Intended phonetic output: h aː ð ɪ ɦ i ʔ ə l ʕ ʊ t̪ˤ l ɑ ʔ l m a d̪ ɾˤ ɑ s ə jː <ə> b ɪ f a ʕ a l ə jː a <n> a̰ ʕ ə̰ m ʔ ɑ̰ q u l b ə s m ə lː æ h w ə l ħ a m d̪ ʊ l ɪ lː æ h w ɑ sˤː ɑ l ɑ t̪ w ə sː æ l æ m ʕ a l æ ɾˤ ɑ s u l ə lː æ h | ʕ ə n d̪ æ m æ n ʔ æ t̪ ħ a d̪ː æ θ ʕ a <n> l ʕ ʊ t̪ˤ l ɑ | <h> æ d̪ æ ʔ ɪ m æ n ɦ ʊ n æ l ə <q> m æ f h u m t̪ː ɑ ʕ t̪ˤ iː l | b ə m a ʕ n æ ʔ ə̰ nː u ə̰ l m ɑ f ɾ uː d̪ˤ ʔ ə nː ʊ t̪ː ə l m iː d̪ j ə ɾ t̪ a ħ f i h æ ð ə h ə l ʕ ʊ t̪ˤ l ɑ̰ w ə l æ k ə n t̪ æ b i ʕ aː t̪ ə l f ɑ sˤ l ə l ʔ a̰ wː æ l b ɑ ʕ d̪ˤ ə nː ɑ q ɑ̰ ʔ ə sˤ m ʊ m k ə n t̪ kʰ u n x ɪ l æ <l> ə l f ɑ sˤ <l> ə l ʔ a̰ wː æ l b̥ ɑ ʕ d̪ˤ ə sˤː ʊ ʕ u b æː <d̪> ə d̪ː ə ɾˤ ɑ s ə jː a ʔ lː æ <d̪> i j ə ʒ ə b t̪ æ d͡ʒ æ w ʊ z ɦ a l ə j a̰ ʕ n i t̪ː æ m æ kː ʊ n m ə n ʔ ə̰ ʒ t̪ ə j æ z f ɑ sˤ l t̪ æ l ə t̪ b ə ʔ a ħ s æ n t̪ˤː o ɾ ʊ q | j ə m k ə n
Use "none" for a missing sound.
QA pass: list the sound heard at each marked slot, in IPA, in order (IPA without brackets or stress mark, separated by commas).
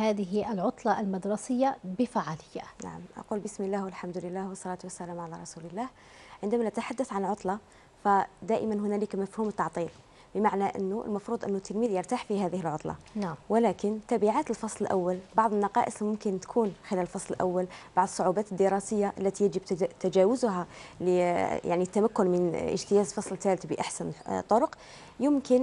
a, n, n, f, k, l, l, t̪, t̪